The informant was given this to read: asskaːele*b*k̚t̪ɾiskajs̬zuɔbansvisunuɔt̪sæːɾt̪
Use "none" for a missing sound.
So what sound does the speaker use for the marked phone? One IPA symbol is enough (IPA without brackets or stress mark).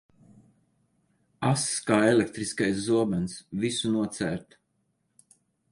none